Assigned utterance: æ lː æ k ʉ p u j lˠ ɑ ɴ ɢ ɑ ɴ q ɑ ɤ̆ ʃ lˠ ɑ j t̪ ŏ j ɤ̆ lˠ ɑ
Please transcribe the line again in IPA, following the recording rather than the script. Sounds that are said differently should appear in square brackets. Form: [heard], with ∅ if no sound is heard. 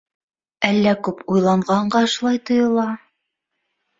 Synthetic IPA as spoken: æ lː æ k ʉ p u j lˠ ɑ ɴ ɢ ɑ ɴ [ɢ] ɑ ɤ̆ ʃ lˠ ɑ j t̪ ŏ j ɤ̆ lˠ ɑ